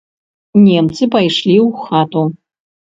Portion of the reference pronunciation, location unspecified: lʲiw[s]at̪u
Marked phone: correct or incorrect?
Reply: incorrect